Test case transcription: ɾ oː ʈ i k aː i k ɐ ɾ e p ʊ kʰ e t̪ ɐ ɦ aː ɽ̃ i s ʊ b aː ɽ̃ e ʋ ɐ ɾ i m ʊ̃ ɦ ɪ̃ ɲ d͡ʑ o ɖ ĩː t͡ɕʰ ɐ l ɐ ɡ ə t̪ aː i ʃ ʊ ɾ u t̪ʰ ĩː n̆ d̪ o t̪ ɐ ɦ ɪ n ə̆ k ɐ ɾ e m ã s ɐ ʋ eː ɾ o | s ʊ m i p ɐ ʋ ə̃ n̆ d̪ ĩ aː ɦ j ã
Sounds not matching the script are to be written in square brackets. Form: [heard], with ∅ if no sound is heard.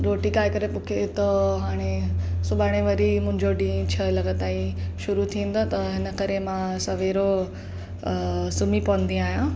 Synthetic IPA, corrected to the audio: ɾ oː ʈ i k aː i k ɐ ɾ e p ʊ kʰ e t̪ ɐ ɦ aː ɽ̃ [e] s ʊ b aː ɽ̃ e ʋ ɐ ɾ i m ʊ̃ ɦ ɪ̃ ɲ d͡ʑ o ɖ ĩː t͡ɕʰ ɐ l ɐ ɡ ə t̪ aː i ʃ ʊ ɾ u t̪ʰ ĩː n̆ d̪ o t̪ ɐ ɦ ɪ n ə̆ k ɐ ɾ e m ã s ɐ ʋ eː ɾ o | s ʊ m i p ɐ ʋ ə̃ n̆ d̪ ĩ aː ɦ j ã